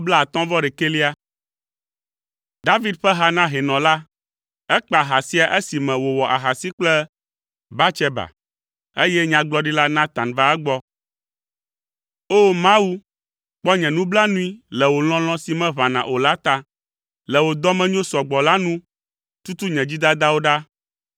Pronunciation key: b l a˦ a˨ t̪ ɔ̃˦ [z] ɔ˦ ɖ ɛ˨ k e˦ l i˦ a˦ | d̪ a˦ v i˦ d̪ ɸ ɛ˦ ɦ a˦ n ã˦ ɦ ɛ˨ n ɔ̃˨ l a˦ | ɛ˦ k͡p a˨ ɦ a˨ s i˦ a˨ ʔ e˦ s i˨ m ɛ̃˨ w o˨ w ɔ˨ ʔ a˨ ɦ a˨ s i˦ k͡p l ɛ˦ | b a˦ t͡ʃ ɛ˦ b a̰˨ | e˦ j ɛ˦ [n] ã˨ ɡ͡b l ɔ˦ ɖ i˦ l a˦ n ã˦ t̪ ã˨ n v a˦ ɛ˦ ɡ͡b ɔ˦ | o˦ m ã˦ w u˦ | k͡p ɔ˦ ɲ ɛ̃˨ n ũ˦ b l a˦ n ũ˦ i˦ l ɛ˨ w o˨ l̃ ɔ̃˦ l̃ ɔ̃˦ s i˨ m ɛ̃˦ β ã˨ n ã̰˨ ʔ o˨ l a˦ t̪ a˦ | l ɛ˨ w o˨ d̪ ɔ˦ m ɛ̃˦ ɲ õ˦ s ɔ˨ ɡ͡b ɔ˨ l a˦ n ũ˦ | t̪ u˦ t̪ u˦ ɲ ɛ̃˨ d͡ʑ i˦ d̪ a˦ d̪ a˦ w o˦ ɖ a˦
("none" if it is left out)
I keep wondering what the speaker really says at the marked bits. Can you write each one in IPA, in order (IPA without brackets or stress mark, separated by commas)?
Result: v, ɲ